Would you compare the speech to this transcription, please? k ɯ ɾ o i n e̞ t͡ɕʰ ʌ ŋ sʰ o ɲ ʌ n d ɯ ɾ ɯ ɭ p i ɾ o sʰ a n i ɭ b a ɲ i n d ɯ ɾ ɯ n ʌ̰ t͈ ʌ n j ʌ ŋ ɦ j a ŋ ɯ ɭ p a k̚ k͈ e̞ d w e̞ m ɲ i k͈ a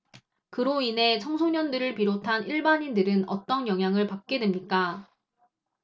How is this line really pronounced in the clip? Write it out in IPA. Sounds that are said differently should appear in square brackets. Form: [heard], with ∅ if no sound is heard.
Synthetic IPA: k ɯ ɾ o i n e̞ t͡ɕʰ ʌ ŋ sʰ o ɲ ʌ n d ɯ ɾ ɯ ɭ p i ɾ o [tʰ] a n i ɭ b a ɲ i n d ɯ ɾ ɯ n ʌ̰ t͈ ʌ n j ʌ ŋ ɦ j a ŋ ɯ ɭ p a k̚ k͈ e̞ d w e̞ m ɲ i k͈ a